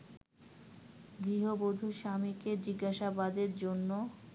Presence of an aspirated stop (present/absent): absent